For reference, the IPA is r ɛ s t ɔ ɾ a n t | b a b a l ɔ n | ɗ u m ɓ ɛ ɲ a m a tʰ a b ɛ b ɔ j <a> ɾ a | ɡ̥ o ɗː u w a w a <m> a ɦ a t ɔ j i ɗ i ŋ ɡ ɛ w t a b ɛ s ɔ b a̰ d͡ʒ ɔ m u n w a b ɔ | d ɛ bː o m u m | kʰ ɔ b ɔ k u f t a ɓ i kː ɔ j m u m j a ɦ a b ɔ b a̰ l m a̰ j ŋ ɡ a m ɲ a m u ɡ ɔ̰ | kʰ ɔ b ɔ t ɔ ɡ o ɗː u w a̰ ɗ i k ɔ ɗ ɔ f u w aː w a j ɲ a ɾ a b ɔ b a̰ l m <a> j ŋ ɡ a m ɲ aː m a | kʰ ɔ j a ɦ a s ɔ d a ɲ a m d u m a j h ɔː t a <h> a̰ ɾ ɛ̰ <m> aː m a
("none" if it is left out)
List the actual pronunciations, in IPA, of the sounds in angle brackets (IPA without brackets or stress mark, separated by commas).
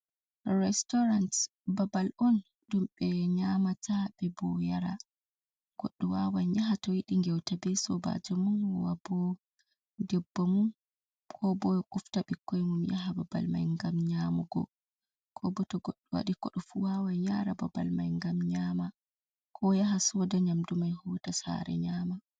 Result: a, ɲ, a, s, ɲ